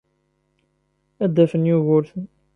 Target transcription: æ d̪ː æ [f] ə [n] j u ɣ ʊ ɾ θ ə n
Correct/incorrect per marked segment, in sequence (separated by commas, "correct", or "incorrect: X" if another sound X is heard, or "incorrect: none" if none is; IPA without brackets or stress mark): correct, correct